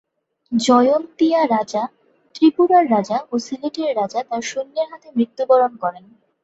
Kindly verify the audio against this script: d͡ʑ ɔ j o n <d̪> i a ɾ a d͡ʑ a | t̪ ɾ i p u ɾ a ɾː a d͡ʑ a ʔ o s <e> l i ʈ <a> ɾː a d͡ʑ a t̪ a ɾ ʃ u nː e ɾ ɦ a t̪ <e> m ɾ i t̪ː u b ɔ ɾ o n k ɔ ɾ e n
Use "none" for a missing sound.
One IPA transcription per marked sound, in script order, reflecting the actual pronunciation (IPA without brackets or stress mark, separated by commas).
t̪, i, e, e